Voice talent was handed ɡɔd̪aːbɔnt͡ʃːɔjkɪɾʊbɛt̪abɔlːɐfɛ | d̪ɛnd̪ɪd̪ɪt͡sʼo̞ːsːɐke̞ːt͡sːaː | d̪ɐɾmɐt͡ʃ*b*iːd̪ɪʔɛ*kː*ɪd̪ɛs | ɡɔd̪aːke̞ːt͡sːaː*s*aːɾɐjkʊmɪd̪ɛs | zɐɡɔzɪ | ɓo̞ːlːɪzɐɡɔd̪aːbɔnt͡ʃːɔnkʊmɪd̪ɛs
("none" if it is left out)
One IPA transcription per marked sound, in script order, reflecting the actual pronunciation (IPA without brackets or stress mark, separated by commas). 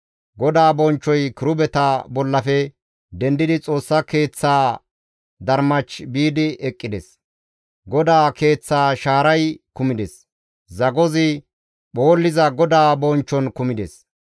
b, kʼː, ʃ